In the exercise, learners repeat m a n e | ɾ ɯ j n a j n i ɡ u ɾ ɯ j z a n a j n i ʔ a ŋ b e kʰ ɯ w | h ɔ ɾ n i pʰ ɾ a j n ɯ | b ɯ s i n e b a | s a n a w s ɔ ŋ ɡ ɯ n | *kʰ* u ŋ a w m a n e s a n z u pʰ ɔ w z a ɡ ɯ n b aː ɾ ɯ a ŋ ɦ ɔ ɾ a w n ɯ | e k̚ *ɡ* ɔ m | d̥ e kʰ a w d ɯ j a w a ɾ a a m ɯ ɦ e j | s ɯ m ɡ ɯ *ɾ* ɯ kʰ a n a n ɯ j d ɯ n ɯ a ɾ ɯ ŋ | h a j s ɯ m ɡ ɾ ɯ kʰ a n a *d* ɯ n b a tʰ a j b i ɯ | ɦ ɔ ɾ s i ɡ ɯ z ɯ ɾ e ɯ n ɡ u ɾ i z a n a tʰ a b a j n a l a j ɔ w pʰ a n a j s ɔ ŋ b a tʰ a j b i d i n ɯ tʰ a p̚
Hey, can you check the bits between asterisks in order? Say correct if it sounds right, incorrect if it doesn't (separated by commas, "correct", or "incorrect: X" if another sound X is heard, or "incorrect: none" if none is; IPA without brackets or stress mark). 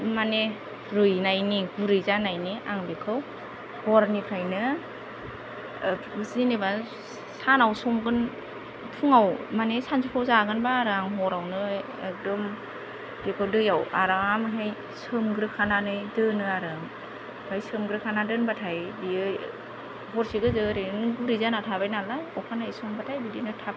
incorrect: pʰ, incorrect: d, correct, correct